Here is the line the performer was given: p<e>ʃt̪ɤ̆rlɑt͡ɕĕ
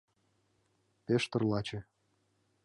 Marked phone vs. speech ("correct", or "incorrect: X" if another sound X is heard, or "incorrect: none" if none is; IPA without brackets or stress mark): correct